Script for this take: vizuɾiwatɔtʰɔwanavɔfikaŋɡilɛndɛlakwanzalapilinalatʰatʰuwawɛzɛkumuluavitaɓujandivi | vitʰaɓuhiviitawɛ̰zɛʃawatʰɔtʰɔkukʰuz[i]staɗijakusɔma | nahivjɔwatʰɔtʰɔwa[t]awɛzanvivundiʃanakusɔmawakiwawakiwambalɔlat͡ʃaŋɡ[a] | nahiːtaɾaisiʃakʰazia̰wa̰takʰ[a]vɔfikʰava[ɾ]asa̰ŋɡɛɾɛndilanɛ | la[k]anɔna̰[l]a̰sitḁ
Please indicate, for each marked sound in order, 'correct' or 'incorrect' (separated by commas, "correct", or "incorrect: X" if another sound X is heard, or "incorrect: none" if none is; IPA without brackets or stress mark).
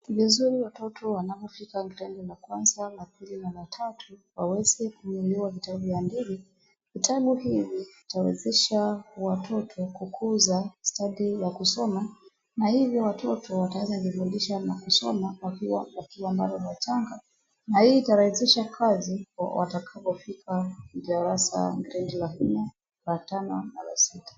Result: incorrect: a, correct, correct, correct, correct, incorrect: t, correct